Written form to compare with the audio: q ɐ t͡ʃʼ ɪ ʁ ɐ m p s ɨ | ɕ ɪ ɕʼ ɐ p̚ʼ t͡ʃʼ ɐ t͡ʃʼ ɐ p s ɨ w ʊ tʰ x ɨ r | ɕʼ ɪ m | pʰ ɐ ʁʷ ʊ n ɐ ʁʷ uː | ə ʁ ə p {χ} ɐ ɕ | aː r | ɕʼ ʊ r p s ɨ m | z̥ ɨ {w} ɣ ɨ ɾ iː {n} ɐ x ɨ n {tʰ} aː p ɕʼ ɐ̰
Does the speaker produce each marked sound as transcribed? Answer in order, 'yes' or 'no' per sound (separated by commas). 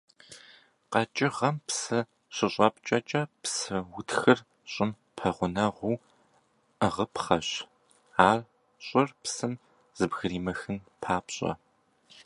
yes, no, no, no